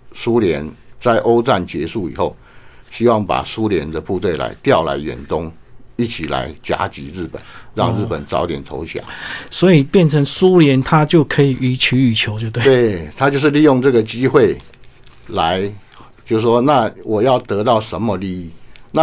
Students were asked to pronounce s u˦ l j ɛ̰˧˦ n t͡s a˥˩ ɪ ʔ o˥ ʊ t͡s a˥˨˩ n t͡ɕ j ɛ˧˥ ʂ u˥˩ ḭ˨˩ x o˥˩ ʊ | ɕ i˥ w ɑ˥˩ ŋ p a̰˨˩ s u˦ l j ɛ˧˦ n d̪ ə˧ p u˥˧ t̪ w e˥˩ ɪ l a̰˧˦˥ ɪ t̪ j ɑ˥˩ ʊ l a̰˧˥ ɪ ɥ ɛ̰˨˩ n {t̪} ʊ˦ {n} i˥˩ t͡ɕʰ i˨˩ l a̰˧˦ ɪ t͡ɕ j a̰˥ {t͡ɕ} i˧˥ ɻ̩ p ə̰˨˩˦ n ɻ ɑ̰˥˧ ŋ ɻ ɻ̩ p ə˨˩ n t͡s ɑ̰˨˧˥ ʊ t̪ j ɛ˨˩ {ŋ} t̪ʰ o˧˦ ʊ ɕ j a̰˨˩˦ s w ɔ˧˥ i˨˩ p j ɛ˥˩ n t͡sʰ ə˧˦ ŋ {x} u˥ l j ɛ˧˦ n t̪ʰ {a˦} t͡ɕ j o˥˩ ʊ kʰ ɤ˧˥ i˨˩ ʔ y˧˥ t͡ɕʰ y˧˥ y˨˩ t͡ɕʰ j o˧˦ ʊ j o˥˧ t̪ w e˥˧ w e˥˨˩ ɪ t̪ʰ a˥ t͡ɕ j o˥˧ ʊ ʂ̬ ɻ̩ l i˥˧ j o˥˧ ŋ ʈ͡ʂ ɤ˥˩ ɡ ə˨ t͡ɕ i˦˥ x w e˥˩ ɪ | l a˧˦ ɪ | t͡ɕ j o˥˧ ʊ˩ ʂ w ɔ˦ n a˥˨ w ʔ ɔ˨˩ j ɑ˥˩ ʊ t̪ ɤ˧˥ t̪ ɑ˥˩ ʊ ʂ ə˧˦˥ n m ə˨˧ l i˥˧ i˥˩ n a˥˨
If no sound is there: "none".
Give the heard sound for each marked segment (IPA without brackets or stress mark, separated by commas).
t̪, ŋ, t͡ɕ, n, s, a˦